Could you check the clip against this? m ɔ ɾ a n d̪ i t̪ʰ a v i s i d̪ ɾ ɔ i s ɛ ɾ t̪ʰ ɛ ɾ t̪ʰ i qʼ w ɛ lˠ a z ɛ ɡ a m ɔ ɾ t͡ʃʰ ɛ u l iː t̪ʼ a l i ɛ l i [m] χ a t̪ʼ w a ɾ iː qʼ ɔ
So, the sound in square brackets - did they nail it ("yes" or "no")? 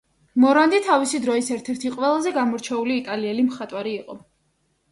yes